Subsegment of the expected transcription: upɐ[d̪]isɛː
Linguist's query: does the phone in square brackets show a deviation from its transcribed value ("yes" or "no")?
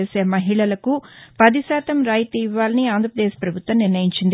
no